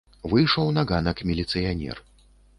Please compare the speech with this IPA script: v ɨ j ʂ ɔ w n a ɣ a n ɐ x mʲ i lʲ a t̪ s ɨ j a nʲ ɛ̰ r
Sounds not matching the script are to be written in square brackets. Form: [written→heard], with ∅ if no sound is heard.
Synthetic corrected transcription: v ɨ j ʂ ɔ w n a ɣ a n ɐ [x→k] mʲ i lʲ [a→i] t̪ s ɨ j a nʲ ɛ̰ r

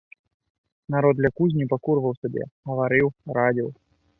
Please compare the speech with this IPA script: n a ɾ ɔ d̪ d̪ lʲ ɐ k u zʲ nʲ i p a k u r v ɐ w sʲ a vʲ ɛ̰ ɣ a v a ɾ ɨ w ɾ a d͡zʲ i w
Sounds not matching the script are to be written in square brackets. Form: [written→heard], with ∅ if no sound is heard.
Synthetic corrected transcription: n a ɾ ɔ d̪ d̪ lʲ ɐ k u zʲ nʲ i p a k u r v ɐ w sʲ a [vʲ→bʲ] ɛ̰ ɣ [a→ɐ] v a ɾ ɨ w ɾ a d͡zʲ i w

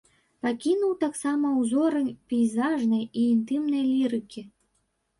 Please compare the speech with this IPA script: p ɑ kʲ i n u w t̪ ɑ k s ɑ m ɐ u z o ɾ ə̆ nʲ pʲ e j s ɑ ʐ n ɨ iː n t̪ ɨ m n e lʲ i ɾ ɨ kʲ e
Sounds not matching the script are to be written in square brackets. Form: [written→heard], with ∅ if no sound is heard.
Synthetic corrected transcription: p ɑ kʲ i n u w t̪ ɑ k s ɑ m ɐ u z o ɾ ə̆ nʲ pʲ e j [s→z] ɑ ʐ n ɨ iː n t̪ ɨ m n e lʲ i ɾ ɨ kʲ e

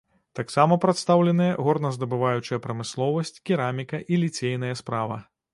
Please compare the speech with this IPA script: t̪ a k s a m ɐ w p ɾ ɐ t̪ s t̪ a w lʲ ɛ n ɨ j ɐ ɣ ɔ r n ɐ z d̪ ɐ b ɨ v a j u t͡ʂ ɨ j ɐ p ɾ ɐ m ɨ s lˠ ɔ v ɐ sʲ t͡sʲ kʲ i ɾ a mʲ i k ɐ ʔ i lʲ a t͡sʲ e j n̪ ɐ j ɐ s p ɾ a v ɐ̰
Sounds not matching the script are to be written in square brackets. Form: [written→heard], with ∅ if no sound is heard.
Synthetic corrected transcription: t̪ a k s a m ɐ [w→∅] p ɾ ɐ t̪ s t̪ a w lʲ ɛ n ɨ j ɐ ɣ ɔ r n ɐ z d̪ ɐ b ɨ v a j u t͡ʂ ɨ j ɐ p ɾ ɐ m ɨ s lˠ ɔ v ɐ sʲ t͡sʲ kʲ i ɾ a mʲ i k ɐ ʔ i lʲ [a→i] t͡sʲ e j n̪ ɐ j ɐ s p ɾ a v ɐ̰

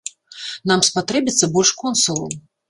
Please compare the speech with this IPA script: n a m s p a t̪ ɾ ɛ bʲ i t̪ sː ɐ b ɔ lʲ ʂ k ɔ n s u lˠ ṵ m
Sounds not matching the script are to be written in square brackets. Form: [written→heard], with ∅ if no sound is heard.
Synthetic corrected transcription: n a m s p a t̪ ɾ ɛ bʲ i t̪ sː ɐ b ɔ lʲ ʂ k ɔ n s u lˠ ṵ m

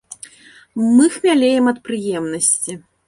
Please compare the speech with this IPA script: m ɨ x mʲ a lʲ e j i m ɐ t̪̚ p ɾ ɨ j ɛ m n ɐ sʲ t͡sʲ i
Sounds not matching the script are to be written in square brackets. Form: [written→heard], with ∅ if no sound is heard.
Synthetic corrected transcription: m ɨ x mʲ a lʲ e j [i→ɛ] m ɐ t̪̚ p ɾ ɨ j ɛ m n ɐ sʲ t͡sʲ i

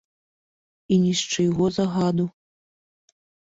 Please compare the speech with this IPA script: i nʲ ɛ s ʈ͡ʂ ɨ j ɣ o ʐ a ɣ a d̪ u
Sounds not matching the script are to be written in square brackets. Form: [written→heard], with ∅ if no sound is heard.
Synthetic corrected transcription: i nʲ [ɛ→i] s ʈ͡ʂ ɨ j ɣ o [ʐ→z] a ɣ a d̪ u

